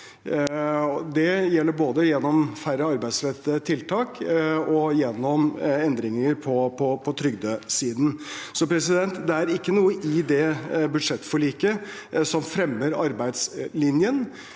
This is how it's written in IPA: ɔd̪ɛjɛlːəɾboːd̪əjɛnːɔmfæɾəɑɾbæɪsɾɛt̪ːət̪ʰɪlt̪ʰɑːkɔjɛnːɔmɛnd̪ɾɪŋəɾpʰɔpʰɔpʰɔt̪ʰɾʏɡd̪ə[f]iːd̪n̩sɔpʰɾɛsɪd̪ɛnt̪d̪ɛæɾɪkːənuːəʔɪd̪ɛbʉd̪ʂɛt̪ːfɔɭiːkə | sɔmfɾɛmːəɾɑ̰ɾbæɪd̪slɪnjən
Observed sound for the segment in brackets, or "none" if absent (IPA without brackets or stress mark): s